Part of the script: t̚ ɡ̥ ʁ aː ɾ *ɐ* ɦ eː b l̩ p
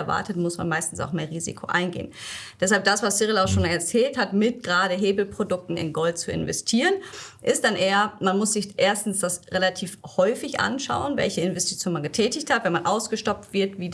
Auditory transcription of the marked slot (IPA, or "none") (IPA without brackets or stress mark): ə